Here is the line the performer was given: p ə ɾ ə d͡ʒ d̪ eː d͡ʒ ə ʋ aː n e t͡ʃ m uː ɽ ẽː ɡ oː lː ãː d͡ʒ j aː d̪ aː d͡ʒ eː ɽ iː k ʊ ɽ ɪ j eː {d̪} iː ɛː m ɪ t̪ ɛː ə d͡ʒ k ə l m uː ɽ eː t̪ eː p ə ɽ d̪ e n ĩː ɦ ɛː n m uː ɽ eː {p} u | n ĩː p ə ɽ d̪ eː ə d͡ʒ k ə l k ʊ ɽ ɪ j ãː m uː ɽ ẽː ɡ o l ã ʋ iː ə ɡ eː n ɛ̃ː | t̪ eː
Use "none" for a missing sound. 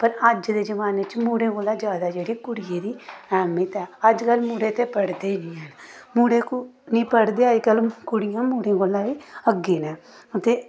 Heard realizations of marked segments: d̪, k

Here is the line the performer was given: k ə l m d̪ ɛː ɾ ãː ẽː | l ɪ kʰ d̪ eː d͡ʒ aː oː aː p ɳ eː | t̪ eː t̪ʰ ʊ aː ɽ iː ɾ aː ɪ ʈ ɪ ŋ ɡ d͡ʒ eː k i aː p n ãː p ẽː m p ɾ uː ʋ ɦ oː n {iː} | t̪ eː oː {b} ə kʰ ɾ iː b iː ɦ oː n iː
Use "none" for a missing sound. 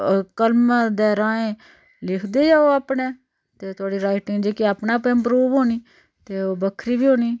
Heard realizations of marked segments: iː, b

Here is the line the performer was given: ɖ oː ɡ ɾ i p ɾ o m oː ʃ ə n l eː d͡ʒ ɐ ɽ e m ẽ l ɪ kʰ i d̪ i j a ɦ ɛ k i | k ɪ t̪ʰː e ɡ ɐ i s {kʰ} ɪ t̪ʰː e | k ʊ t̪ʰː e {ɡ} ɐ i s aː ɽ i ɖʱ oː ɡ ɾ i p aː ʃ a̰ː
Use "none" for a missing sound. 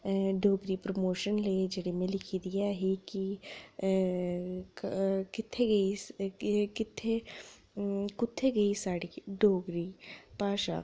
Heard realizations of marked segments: k, ɡ

